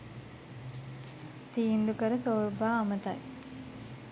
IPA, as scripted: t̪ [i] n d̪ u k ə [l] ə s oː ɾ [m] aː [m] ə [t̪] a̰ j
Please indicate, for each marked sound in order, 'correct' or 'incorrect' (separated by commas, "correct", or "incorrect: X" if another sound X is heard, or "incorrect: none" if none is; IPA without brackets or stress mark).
incorrect: iː, incorrect: ɾ, incorrect: b, correct, correct